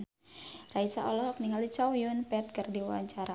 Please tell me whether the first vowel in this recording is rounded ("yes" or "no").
no